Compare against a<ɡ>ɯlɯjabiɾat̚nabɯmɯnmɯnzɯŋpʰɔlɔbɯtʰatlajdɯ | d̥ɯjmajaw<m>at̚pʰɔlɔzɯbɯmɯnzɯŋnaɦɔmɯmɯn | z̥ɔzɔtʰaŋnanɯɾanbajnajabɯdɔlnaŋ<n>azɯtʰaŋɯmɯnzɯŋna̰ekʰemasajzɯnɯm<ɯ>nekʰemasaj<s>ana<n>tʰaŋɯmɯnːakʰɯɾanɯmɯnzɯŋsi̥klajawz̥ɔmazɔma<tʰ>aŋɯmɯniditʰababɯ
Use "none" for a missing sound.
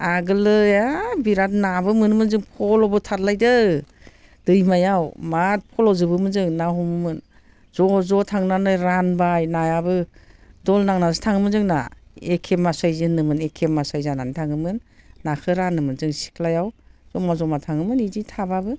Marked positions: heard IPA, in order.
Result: ɡ, m, n, ɯ, z, n, tʰ

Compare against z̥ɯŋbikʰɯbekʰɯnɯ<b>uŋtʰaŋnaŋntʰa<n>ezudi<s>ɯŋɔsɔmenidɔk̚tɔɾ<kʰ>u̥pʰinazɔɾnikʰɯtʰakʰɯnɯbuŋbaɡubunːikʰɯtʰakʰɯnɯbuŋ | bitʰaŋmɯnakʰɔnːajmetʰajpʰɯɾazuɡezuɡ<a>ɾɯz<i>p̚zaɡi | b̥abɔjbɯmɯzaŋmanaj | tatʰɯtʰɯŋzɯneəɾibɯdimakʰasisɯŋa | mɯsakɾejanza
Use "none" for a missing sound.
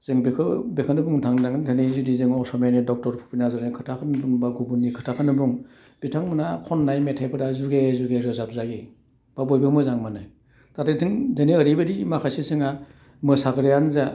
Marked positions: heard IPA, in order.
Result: b, n, z, pʰ, e, a

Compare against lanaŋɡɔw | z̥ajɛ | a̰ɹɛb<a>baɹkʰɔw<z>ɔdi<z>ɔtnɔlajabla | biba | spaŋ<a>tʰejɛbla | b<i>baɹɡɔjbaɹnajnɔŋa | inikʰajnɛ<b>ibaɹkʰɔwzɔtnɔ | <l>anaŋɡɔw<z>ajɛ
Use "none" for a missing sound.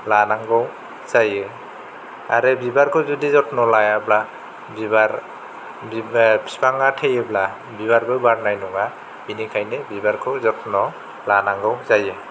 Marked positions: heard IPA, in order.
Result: i, z, z, a, i, b, l, z

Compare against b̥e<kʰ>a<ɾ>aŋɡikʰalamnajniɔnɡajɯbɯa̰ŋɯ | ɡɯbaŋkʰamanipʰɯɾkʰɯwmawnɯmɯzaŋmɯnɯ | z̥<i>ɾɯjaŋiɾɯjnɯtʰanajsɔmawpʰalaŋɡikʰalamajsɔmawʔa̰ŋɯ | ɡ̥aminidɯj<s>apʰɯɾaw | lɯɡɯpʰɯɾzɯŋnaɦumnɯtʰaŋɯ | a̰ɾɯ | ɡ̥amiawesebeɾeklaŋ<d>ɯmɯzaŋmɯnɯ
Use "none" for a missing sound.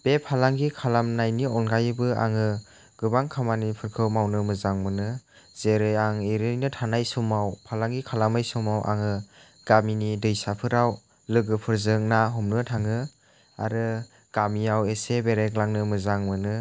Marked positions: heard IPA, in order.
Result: pʰ, l, e, s, n

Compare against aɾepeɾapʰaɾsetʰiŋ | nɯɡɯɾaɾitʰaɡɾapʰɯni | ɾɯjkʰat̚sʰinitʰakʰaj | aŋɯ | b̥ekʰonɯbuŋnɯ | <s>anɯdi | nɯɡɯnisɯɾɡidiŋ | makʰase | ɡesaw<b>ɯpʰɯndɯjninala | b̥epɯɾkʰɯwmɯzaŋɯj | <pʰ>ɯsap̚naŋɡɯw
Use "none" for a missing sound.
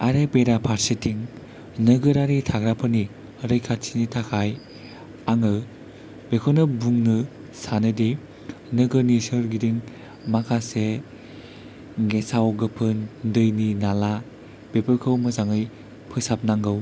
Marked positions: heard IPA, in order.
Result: s, ɡ, pʰ

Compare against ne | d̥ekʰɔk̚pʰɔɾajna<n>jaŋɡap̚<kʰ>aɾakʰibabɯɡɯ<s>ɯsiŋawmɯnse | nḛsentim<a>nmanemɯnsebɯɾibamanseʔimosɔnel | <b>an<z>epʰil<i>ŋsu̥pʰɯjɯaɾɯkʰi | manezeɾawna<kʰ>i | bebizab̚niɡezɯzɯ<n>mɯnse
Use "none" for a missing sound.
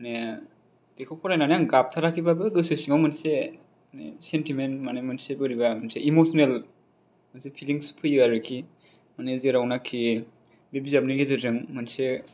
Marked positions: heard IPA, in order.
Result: n, tʰ, s, e, m, s, i, kʰ, ŋ

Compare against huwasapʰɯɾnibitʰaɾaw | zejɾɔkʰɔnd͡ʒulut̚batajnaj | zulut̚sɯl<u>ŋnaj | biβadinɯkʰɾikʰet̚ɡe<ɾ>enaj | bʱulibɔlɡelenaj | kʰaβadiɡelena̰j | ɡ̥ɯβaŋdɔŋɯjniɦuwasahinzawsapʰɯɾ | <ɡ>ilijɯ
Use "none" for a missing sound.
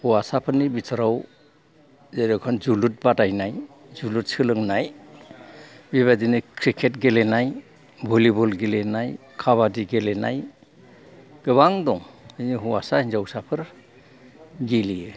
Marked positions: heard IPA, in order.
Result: ɯ, l, ɡ

